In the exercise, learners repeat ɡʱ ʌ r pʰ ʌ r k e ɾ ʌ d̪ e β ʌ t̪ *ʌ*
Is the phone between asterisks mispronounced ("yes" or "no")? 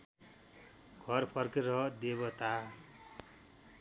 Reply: yes